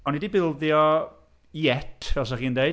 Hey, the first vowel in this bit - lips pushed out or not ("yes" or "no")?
yes